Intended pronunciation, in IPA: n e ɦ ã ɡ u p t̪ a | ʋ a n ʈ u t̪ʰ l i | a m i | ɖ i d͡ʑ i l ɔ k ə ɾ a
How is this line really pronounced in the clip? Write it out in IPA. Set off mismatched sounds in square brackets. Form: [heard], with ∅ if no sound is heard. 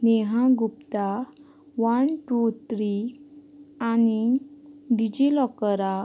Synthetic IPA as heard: n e ɦ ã ɡ u p t̪ a | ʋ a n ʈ u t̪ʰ [ɾ] i | a [n] i | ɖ i d͡ʑ i l ɔ k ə ɾ a